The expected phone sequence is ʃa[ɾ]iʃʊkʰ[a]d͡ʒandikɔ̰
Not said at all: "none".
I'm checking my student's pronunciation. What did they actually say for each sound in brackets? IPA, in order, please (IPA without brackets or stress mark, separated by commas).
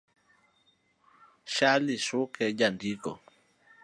l, ɛ